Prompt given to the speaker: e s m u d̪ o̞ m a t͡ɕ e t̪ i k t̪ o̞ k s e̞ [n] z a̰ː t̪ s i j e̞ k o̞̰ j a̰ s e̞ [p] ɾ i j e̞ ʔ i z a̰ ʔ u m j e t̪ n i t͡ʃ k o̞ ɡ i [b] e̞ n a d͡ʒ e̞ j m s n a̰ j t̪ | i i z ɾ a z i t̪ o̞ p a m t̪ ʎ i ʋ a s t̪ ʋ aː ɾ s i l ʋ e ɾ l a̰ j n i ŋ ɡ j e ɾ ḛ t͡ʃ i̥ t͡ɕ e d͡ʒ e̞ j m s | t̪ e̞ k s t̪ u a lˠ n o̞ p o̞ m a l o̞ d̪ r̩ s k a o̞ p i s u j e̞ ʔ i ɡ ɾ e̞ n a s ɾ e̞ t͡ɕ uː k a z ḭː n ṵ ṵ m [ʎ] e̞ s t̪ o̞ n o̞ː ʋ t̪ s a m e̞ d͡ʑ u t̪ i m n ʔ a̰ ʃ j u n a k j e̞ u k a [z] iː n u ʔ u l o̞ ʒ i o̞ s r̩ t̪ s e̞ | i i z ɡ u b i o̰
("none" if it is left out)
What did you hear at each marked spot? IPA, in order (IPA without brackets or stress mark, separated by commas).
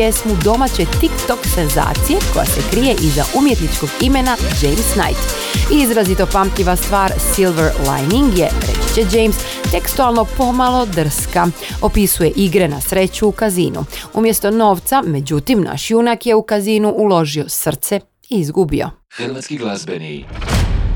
n, k, m, j, z